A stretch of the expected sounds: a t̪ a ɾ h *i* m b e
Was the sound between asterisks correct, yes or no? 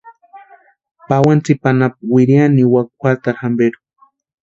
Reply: no